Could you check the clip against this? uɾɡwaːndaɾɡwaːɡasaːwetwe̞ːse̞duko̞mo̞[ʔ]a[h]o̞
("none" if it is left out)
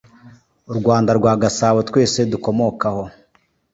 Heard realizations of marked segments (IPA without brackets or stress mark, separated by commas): k, h